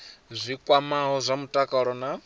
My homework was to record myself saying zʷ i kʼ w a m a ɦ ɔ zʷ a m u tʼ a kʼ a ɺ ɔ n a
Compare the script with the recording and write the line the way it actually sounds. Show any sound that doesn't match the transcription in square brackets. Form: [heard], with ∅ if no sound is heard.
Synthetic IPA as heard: zʷ i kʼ w a m a ɦ ɔ zʷ a m u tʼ a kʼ a ɺ ɔ n a